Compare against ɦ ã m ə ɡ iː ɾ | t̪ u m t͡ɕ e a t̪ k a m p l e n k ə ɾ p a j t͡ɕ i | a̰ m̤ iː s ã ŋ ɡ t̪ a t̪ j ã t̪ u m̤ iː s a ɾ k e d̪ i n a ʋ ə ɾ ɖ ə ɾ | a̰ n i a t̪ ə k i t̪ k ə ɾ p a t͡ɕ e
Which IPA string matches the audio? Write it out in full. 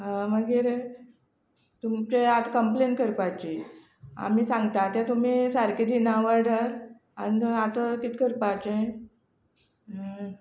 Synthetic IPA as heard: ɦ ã m ə ɡ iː ɾ | t̪ u m t͡ɕ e a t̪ k ə m p l e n k ə ɾ p a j t͡ɕ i | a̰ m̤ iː s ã ŋ ɡ t̪ a t̪ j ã t̪ u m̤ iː s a ɾ k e d̪ i n a ʋ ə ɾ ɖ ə ɾ | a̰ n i a t̪ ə k i t̪ k ə ɾ p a t͡ɕ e